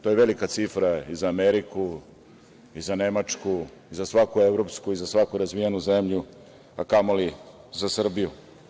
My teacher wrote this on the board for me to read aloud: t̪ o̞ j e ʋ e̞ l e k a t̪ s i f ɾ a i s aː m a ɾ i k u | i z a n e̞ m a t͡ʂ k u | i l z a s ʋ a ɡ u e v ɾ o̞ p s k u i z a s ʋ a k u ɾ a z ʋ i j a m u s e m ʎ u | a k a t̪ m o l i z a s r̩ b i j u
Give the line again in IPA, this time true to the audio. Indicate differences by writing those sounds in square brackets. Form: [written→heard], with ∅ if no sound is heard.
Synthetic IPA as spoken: t̪ o̞ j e ʋ e̞ l [e→i] k a t̪ s i f ɾ a i [s→z] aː m [a→e] ɾ i k u | i z a n e̞ m a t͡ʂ k u | i [l→∅] z a s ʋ a [ɡ→k] u e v ɾ o̞ p s k u i z a s ʋ a k u ɾ a z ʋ i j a [m→n] u [s→z] e m ʎ u | a k a [t̪→∅] m o l i z a s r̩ b i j u

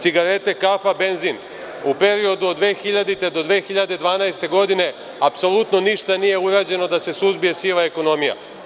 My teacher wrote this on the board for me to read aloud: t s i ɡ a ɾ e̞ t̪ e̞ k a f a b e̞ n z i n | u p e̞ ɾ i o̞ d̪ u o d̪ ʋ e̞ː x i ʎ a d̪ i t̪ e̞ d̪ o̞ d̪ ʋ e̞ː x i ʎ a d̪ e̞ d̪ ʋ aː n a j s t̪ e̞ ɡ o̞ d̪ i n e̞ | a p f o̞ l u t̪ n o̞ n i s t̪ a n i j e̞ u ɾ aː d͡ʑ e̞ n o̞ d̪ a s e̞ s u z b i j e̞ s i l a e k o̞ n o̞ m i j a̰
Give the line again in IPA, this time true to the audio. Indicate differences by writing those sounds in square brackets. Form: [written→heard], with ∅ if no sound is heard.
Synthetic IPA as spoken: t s i ɡ a ɾ e̞ t̪ e̞ k a f a b e̞ n z i n | u p e̞ ɾ i o̞ d̪ u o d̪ ʋ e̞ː x i ʎ a d̪ i t̪ e̞ d̪ o̞ d̪ ʋ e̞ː x i ʎ a d̪ e̞ d̪ ʋ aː n a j s t̪ e̞ ɡ o̞ d̪ i n e̞ | a p [f→s] o̞ l u t̪ n o̞ n i [s→ʃ] t̪ a n i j e̞ u ɾ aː d͡ʑ e̞ n o̞ d̪ a s e̞ s u z b i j e̞ s i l a e k o̞ n o̞ m i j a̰

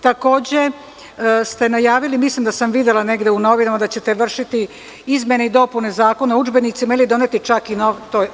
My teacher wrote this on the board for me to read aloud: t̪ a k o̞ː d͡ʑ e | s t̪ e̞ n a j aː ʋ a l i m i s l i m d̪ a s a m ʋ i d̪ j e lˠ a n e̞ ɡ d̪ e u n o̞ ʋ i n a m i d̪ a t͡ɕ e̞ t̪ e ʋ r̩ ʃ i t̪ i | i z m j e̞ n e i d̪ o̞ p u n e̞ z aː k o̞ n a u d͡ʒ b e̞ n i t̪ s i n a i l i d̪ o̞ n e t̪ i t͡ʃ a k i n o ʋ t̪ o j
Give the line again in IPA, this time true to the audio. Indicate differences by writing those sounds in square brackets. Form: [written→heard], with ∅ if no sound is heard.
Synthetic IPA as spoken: t̪ a k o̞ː d͡ʑ e | s t̪ e̞ n a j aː ʋ [a→i] l i m i s l i m d̪ a s a m ʋ i d̪ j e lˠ a n e̞ ɡ d̪ e u n o̞ ʋ i n a m [i→a] d̪ a t͡ɕ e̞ t̪ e ʋ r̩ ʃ i t̪ i | i z m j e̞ n e i d̪ o̞ p u n e̞ z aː k o̞ n a u d͡ʒ b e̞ n i t̪ s i [n→m] a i l i d̪ o̞ n e t̪ i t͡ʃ a k i n o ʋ t̪ o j

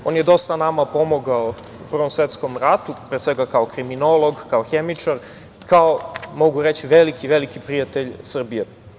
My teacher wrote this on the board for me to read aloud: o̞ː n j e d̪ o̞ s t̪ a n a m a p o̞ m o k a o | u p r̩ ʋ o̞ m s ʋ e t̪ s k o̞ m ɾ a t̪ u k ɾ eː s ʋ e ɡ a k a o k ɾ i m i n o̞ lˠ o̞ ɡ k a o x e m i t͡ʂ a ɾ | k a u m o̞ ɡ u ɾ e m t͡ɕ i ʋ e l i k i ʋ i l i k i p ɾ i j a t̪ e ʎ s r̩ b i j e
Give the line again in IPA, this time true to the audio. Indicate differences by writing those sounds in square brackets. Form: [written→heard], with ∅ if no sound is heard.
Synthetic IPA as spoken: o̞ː n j e d̪ o̞ s t̪ a n a m a p o̞ m o [k→ɡ] a o | u p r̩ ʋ o̞ m s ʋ e t̪ s k o̞ m ɾ a t̪ u [k→p] ɾ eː s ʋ e ɡ a k a o k ɾ i m i n o̞ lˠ o̞ ɡ k a o x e m i t͡ʂ a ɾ | k a [u→o] m o̞ ɡ u ɾ e [m→∅] t͡ɕ i ʋ e l i k i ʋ [i→e] l i k i p ɾ i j a t̪ e ʎ s r̩ b i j e

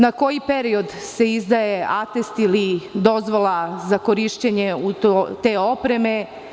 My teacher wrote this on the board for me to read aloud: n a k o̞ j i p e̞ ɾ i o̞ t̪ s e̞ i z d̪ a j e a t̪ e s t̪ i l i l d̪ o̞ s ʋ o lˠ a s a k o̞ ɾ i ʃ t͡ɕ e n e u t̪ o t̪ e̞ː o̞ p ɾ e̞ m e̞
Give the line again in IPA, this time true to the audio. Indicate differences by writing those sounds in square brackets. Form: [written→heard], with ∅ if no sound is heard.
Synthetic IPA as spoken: n a k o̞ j i p e̞ ɾ i o̞ [t̪→d̪] s e̞ i z d̪ a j e a t̪ e s t̪ i l i [l→∅] d̪ o̞ [s→z] ʋ o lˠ a [s→z] a k o̞ ɾ i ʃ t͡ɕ e [n→ɲ] e u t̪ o t̪ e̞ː o̞ p ɾ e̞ m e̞

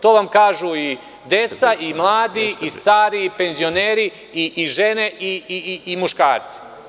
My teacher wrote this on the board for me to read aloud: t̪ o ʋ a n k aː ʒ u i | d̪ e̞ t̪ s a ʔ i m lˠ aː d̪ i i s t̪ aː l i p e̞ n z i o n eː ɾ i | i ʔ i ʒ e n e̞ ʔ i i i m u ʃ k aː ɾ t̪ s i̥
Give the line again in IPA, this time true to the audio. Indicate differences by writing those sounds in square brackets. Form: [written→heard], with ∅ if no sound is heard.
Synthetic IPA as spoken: t̪ o ʋ a [n→m] k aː ʒ u i | d̪ e̞ t̪ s a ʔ i m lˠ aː d̪ i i s t̪ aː [l→ɾ] i p e̞ n z i o n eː ɾ i | i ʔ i ʒ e n e̞ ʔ i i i m u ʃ k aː ɾ t̪ s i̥

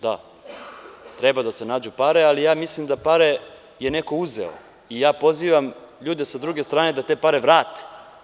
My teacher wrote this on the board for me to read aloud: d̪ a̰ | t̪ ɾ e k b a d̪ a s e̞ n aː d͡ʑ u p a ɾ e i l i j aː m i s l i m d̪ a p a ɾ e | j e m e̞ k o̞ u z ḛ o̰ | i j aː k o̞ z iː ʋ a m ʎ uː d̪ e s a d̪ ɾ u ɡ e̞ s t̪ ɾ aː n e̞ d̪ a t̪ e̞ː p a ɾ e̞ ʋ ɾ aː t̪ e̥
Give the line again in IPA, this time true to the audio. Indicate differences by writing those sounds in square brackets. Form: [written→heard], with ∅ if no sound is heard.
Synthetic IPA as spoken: d̪ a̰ | t̪ ɾ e [k→∅] b a d̪ a s e̞ n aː d͡ʑ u p a ɾ e [i→a] l i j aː m i s l i m d̪ a p a ɾ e | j e [m→n] e̞ k o̞ u z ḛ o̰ | i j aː [k→p] o̞ z iː ʋ a m ʎ uː d̪ e s a d̪ ɾ u ɡ e̞ s t̪ ɾ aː n e̞ d̪ a t̪ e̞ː p a ɾ e̞ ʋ ɾ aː t̪ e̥

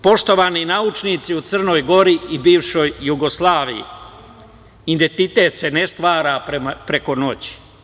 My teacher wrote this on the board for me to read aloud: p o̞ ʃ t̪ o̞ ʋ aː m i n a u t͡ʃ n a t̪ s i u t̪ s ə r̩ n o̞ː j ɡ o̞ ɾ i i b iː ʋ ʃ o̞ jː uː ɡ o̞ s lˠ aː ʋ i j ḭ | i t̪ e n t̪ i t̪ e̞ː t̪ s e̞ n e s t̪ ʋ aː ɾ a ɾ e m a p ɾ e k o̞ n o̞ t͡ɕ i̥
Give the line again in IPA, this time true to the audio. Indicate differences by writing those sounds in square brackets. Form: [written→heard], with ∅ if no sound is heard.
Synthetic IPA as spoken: p o̞ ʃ t̪ o̞ ʋ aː [m→n] i n a u t͡ʃ n [a→i] t̪ s i u t̪ s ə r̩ n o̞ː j ɡ o̞ ɾ i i b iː ʋ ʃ o̞ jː [uː→u] ɡ o̞ s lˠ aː ʋ i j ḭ | i [t̪→d̪] e n t̪ i t̪ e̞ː t̪ s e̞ n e s t̪ ʋ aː ɾ a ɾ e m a p ɾ e k o̞ n o̞ t͡ɕ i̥

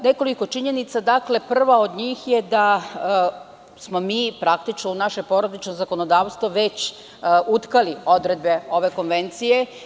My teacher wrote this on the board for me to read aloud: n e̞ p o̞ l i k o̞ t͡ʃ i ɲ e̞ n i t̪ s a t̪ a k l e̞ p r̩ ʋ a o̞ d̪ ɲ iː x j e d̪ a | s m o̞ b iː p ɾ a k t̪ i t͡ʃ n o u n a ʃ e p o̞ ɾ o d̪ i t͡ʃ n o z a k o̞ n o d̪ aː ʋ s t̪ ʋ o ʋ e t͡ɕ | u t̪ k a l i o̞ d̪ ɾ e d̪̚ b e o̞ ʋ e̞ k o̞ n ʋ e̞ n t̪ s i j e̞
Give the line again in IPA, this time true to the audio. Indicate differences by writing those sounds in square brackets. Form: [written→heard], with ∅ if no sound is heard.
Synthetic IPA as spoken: n e̞ [p→k] o̞ l i k o̞ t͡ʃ i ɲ e̞ n i t̪ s a [t̪→d̪] a k l e̞ p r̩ ʋ a o̞ d̪ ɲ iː x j e d̪ a | s m o̞ [b→m] iː p ɾ a k t̪ i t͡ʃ n o u n a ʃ e p o̞ ɾ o d̪ i t͡ʃ n o z a k o̞ n o d̪ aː ʋ s t̪ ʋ o ʋ e t͡ɕ | u t̪ k a l i o̞ d̪ ɾ e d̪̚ b e o̞ ʋ e̞ k o̞ n ʋ e̞ n t̪ s i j e̞

